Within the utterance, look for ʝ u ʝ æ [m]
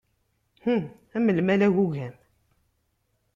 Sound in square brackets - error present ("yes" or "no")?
no